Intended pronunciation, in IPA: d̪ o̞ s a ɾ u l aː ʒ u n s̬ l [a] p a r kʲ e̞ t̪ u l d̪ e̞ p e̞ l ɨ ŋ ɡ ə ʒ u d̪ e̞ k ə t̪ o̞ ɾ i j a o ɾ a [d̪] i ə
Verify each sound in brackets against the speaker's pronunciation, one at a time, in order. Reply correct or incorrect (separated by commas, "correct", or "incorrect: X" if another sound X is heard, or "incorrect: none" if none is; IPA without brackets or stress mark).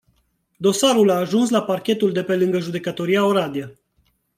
correct, correct